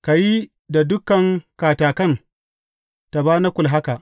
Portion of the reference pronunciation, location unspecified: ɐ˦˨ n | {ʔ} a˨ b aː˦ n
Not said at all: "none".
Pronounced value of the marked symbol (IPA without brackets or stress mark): t